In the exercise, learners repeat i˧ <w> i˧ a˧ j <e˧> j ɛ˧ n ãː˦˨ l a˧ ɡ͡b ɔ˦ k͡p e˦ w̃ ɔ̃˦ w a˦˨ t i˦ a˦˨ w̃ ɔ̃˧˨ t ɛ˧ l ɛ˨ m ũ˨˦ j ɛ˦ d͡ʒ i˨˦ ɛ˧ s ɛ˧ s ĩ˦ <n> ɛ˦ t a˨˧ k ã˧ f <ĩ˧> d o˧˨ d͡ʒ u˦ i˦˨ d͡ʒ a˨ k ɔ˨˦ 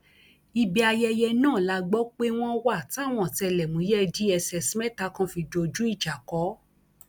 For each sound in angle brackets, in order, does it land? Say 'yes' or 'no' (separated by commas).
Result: no, no, no, no